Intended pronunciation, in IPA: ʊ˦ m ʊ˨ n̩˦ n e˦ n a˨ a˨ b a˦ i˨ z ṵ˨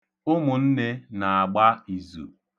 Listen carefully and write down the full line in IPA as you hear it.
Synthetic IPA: ʊ˦ m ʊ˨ n̩˦ n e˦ n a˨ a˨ ɡ͡b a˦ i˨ z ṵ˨